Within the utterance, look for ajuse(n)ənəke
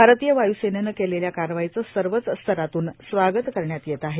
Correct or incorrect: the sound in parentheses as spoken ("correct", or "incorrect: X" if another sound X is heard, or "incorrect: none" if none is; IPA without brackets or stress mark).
correct